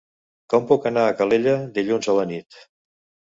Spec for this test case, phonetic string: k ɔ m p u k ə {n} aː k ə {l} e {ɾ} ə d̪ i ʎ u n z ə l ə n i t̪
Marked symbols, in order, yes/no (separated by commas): yes, yes, no